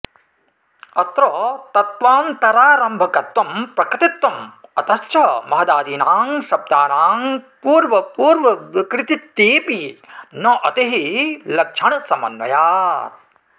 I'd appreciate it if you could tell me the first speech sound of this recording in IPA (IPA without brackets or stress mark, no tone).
ɐ